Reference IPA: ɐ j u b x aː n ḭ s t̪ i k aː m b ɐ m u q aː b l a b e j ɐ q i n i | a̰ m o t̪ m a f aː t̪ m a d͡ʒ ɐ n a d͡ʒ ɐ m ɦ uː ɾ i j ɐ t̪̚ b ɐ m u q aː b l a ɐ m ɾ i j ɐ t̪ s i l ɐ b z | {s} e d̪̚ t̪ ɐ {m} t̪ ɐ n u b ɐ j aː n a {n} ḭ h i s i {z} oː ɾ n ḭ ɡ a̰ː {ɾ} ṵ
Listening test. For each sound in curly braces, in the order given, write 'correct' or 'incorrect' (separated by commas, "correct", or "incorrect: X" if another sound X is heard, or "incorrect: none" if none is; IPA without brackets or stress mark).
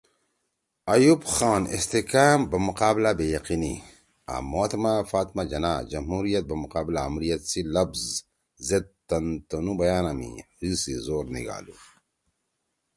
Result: incorrect: z, incorrect: n, incorrect: m, correct, incorrect: l